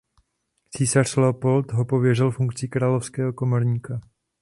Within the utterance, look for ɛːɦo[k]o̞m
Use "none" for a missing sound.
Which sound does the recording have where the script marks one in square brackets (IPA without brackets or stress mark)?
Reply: k